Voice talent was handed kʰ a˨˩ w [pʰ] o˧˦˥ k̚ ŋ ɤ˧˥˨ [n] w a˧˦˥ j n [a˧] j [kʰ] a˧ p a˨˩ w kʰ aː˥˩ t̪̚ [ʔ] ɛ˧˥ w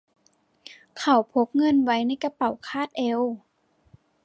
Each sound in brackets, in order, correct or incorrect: correct, correct, incorrect, incorrect, correct

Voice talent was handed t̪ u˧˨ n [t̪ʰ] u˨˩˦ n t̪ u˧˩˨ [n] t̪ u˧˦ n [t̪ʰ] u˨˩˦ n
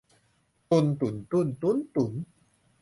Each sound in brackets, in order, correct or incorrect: incorrect, correct, incorrect

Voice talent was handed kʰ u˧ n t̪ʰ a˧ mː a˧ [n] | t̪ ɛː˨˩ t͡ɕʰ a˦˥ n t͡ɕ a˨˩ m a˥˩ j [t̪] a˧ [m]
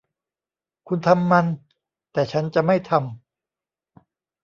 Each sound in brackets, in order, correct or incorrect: correct, incorrect, correct

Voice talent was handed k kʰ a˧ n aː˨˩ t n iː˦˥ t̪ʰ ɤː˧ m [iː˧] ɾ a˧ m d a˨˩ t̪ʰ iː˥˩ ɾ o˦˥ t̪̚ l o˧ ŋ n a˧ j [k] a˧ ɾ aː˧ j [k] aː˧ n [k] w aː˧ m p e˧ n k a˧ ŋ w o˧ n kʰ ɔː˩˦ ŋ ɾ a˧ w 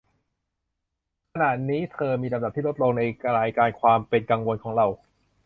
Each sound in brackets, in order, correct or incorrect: correct, correct, correct, incorrect

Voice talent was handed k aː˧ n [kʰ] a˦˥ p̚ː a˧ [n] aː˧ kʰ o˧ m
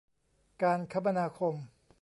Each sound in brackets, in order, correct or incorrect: correct, correct

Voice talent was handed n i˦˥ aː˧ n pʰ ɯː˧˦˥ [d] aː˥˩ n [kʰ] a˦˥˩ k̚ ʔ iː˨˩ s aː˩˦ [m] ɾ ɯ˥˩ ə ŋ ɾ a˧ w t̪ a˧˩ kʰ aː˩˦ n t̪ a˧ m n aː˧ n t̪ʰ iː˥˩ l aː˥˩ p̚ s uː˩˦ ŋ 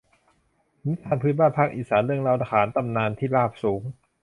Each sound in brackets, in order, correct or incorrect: incorrect, incorrect, incorrect

